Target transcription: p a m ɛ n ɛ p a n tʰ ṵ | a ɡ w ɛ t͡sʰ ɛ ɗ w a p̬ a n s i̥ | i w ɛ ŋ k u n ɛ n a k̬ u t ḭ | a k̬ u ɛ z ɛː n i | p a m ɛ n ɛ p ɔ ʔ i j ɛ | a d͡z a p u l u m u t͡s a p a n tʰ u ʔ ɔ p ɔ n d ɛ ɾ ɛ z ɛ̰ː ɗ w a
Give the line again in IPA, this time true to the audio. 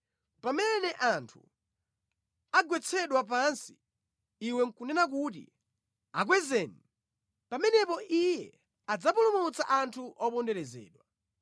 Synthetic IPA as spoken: p a m ɛ n ɛ ʔ a n tʰ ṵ | a ɡ w ɛ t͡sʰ ɛ ɗ w a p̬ a n s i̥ | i w ɛ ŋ k u n ɛ n a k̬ u t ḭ | a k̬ w ɛ z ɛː n i | p a m ɛ n ɛ p ɔ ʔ i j ɛ | a d͡z a p u l u m u t͡s a ʔ a n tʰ u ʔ ɔ p ɔ n d ɛ ɾ ɛ z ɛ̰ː ɗ w a